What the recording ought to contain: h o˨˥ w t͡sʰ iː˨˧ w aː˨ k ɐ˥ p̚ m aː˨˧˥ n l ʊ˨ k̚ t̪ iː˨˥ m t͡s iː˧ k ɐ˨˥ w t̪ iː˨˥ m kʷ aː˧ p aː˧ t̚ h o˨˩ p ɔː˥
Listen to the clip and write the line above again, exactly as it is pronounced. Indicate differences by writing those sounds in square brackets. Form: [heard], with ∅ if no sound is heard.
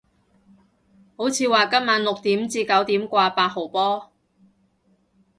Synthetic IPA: h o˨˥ w t͡sʰ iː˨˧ w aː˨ k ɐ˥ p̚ m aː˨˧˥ n l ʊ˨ k̚ t̪ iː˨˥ m t͡s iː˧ k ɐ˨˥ w t̪ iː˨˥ m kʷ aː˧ p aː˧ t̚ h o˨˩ p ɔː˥